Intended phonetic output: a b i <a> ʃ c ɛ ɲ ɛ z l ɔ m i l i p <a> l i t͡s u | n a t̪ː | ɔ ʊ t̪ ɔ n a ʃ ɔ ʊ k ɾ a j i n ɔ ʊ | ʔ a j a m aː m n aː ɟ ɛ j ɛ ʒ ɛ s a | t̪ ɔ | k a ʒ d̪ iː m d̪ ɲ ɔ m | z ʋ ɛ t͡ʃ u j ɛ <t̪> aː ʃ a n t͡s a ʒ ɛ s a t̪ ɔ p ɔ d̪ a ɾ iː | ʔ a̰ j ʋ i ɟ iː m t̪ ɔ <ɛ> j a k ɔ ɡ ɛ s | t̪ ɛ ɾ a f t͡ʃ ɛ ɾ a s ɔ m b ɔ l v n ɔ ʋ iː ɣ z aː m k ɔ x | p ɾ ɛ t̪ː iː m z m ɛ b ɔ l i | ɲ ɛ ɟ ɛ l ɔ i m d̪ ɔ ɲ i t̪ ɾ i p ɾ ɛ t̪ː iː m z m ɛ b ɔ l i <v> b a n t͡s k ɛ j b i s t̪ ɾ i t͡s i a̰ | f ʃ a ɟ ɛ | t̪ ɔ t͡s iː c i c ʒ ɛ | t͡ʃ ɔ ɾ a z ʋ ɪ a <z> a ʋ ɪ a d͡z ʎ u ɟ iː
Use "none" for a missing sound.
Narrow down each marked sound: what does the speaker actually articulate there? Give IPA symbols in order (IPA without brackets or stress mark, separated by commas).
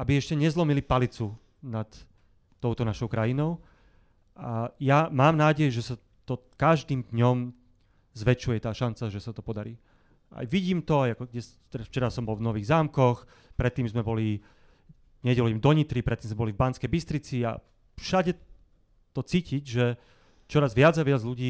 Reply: ɛ, a, t̪, a, v, d͡z